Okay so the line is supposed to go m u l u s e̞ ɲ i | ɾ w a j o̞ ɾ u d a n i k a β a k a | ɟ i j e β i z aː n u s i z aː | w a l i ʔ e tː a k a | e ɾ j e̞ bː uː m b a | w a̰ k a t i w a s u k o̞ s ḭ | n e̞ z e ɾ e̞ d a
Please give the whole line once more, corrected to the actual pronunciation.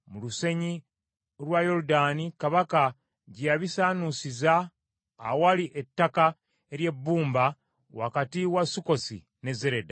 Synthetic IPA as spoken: m u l u s e̞ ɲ i | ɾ w a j o̞ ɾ u d a n i k a β a k a | ɟ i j a β i s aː n u s i z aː | w a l i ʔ e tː a k a | e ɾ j e̞ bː uː m b a | w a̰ k a t i w a s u k o̞ s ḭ | n e̞ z e ɾ e̞ d a